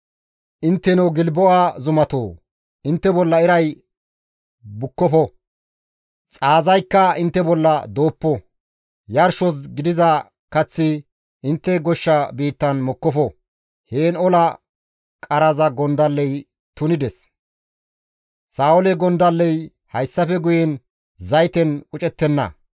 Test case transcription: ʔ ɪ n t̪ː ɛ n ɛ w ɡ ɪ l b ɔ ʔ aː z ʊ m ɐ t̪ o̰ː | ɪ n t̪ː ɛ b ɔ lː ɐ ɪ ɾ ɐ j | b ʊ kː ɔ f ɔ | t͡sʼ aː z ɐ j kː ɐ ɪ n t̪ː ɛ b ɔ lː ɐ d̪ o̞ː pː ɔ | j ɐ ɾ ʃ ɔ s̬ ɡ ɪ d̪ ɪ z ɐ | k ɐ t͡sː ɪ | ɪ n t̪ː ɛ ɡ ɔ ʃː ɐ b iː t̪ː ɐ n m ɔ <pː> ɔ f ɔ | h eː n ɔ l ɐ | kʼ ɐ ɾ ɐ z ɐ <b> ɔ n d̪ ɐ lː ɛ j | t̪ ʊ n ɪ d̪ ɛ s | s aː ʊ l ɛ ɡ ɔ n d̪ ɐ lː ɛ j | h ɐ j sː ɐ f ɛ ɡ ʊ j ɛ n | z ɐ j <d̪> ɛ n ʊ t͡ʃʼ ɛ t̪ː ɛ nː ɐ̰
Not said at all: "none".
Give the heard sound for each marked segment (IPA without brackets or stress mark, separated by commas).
kː, ɡ, t̪